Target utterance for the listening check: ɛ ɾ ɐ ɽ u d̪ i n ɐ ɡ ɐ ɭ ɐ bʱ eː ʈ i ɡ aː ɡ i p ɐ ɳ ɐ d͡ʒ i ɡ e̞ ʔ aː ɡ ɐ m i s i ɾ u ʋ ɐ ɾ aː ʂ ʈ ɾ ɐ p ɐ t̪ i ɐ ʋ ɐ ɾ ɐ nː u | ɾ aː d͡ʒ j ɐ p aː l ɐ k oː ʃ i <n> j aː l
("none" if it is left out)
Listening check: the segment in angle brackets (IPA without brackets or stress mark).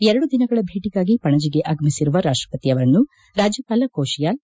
none